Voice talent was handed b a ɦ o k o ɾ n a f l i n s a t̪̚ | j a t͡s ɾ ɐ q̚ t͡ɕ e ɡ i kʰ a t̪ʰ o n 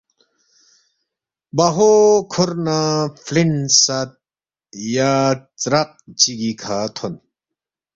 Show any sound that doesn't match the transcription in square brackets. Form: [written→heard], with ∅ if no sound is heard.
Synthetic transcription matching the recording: b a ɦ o [k→kʰ] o ɾ n a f l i n s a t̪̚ | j a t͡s ɾ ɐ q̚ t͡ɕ [e→i] ɡ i kʰ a t̪ʰ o n